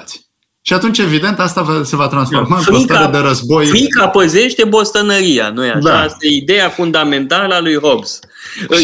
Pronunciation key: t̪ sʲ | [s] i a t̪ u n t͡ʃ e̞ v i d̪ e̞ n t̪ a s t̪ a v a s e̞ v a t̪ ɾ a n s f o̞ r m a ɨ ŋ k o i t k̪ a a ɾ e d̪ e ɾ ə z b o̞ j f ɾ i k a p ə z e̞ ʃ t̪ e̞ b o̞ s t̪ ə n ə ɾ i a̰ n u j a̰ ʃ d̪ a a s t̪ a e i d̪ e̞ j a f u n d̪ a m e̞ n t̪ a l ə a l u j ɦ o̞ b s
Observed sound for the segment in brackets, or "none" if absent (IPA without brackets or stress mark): ʃ